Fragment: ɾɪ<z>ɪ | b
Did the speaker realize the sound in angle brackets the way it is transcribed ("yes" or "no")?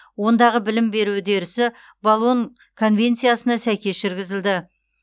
no